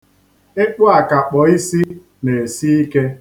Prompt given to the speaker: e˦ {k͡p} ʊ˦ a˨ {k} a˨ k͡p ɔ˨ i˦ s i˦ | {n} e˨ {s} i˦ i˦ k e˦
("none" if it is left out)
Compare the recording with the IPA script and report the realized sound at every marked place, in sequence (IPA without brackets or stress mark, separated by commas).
k͡p, k, n, s